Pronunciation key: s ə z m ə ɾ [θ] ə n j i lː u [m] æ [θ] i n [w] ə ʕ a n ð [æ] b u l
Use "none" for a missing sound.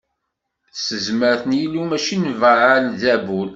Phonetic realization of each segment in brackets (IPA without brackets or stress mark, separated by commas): θ, m, ʃ, v, æ